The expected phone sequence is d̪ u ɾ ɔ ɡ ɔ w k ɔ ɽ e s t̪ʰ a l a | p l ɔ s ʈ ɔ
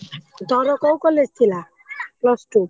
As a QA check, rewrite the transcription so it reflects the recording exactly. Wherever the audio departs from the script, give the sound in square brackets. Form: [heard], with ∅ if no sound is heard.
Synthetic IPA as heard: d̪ [ɔ] ɾ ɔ [k] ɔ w k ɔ [l] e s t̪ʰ [i] l a | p l ɔ s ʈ [u]